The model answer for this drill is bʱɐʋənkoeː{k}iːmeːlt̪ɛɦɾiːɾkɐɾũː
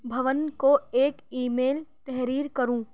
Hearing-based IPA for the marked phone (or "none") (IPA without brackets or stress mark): k